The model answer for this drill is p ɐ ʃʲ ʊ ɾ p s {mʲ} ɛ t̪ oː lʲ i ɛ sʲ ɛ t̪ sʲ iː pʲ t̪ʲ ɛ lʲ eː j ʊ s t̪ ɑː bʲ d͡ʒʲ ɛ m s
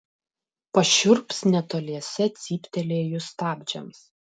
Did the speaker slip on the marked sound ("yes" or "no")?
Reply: yes